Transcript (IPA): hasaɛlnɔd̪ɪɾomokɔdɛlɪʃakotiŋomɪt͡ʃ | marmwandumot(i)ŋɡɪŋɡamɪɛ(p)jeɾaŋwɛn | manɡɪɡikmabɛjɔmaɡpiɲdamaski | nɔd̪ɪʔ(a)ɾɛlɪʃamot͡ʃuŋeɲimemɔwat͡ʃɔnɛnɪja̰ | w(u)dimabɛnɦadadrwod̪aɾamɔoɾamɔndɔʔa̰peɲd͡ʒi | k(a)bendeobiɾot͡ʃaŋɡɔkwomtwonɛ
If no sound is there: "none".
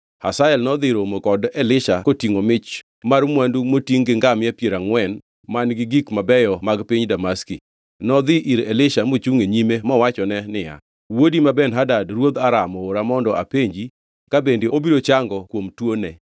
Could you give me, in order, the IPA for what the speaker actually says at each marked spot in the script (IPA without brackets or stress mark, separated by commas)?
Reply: i, p, i, o, a